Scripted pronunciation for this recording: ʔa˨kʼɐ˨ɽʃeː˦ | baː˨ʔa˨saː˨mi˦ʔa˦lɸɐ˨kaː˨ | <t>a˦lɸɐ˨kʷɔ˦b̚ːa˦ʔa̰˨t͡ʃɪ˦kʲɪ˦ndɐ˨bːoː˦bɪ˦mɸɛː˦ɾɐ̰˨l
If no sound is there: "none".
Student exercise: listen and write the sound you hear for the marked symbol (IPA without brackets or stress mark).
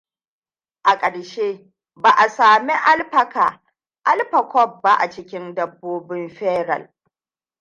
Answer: ʔ